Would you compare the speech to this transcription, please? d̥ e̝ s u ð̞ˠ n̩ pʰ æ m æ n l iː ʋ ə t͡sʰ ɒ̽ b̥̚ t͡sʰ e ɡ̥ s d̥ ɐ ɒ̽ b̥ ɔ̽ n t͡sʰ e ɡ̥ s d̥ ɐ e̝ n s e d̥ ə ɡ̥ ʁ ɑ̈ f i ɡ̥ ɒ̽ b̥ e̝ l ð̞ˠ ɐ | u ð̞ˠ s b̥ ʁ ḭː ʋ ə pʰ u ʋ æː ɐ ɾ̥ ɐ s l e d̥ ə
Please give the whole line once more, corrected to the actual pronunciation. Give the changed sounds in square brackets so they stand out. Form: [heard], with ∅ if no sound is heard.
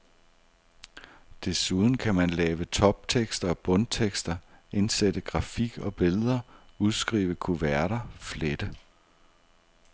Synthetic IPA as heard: d̥ e̝ s u ð̞ˠ n̩ [kʰ] æ m æ n l [ɛː] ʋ ə t͡sʰ ɒ̽ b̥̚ t͡sʰ e ɡ̥ s d̥ ɐ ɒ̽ b̥ ɔ̽ n t͡sʰ e ɡ̥ s d̥ ɐ e̝ n s e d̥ ə ɡ̥ ʁ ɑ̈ f i ɡ̥ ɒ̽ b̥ e̝ l ð̞ˠ ɐ | u ð̞ˠ s [ɡ̥] ʁ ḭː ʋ ə [kʰ] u ʋ [æ] ɐ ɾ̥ ɐ [f] l e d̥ ə